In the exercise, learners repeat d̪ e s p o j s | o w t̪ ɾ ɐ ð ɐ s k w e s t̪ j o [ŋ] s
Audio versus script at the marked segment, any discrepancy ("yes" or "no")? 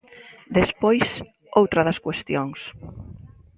no